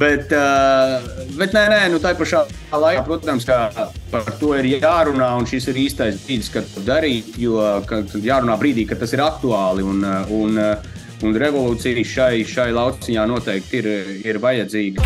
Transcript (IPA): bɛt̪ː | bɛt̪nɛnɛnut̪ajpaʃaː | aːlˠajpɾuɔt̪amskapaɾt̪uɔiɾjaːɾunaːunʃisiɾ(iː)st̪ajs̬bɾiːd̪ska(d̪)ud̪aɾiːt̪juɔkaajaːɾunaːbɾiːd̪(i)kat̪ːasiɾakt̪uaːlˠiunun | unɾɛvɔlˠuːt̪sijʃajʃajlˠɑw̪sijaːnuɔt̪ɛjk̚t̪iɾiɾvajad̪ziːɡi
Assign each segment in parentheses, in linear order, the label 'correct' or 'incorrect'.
correct, incorrect: t̪, incorrect: iː

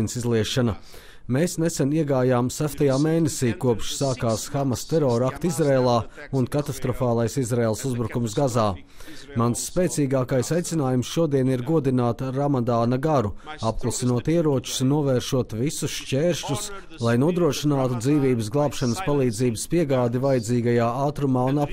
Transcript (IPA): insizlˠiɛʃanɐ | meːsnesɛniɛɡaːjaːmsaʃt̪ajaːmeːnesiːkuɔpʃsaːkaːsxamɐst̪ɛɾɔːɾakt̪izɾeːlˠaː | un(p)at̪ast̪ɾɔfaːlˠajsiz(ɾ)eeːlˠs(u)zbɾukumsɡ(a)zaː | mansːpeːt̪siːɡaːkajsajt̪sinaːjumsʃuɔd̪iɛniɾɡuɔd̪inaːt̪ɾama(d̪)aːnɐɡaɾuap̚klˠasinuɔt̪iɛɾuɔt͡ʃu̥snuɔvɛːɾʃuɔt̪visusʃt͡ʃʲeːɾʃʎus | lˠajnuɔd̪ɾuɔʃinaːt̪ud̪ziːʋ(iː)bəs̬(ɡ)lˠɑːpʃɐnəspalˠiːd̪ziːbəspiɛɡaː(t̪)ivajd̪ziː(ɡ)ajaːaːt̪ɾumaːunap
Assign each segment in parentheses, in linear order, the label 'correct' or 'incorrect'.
incorrect: k, correct, correct, correct, correct, correct, correct, incorrect: d̪, correct

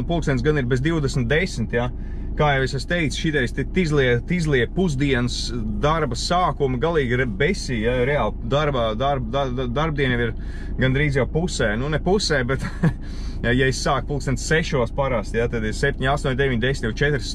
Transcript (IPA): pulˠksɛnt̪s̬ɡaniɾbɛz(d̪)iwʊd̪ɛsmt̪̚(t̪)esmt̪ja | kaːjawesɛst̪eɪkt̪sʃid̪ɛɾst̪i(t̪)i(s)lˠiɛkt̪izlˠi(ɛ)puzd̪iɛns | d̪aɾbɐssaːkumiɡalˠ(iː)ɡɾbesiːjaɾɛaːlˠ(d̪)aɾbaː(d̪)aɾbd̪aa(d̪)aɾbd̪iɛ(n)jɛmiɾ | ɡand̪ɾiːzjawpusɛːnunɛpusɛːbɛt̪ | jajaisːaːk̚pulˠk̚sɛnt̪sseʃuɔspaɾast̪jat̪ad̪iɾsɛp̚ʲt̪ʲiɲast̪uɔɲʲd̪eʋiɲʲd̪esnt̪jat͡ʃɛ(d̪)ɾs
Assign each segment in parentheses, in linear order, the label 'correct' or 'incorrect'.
correct, incorrect: d̪, correct, incorrect: z, correct, correct, correct, correct, correct, correct, incorrect: t̪

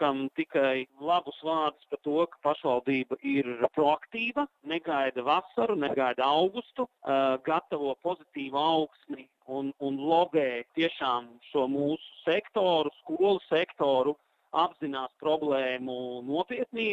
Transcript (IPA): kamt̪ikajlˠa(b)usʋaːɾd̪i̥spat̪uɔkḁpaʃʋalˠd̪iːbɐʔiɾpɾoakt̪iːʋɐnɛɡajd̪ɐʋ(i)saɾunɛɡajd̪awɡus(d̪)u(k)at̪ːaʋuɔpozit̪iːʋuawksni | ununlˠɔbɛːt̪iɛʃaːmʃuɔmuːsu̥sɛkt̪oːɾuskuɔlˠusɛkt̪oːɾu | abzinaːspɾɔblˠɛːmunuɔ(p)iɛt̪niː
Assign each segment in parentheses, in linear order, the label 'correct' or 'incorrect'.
correct, incorrect: a, incorrect: t̪, incorrect: ɡ, correct

